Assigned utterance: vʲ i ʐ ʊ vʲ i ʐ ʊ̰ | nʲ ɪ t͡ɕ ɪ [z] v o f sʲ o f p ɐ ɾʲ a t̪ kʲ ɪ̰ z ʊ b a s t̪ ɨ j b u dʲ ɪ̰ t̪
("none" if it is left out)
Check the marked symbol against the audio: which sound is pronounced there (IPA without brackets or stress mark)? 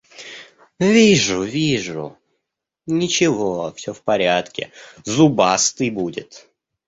none